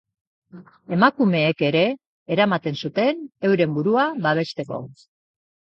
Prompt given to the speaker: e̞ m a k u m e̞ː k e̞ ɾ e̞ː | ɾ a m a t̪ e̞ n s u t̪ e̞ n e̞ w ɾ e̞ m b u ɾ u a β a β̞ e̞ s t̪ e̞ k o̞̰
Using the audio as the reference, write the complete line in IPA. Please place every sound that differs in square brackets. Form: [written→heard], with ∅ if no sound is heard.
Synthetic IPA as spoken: e̞ m a k u m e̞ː k e̞ ɾ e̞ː | ɾ a m a t̪ e̞ n s u t̪ e̞ n e̞ w ɾ e̞ m b u ɾ u a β a β̞ e̞ s t̪ e̞ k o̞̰